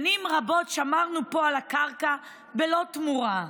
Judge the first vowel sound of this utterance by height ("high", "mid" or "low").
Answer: high